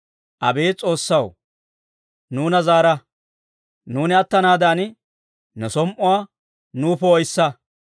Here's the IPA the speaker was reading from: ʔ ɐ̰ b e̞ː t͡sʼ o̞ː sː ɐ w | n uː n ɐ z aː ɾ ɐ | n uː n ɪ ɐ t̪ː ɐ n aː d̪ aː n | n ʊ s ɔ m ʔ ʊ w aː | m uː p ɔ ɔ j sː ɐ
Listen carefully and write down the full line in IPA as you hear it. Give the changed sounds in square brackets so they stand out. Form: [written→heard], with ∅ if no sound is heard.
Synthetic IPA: ʔ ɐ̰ b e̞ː t͡sʼ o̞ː sː ɐ w | n uː n ɐ z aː ɾ ɐ | n uː n ɪ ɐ t̪ː ɐ n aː d̪ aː n | n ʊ s ɔ m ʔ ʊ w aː | [m→n] uː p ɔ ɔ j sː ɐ